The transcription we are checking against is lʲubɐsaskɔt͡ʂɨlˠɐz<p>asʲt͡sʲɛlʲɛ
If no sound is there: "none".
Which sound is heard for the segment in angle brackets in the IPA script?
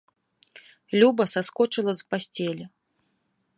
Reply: p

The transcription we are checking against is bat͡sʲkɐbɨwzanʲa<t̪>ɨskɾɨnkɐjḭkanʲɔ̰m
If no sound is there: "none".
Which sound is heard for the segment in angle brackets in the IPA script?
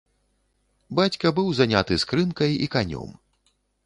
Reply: t̪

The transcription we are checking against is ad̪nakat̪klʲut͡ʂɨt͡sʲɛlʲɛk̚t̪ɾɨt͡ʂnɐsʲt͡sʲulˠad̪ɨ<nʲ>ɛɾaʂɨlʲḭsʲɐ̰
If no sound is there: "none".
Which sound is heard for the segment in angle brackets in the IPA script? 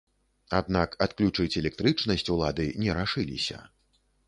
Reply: nʲ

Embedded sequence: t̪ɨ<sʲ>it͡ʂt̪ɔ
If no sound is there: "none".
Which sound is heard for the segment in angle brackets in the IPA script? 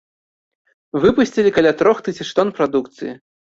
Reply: sʲ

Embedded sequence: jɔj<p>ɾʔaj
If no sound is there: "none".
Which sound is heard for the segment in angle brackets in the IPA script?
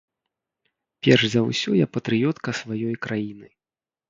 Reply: k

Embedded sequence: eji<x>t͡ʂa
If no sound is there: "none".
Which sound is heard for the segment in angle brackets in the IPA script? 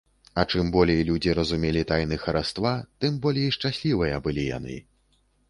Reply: ʂ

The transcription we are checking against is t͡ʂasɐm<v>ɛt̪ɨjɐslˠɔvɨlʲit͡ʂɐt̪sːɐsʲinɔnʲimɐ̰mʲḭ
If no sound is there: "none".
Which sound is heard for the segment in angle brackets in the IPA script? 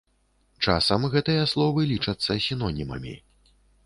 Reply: ɣ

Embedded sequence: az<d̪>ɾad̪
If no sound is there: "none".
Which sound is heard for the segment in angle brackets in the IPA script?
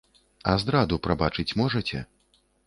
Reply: d̪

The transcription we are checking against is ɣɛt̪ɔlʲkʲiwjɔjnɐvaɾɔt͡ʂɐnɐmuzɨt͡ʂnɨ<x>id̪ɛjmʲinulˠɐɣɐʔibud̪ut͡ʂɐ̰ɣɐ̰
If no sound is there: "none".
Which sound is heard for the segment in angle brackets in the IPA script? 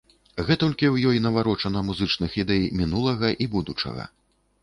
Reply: x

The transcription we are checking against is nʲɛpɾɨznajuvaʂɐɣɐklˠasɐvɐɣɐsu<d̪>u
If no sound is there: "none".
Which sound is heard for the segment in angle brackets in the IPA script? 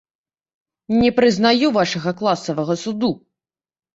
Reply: d̪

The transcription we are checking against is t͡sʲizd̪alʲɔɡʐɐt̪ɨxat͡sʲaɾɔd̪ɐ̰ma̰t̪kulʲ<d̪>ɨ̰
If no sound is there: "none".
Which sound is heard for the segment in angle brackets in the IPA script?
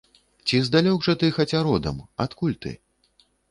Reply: t̪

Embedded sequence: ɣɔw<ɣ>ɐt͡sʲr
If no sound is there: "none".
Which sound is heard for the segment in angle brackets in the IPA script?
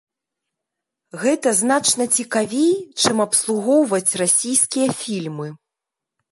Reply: v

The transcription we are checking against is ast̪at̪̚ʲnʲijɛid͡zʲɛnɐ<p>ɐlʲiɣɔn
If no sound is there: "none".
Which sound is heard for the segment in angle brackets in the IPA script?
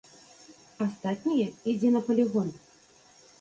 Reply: p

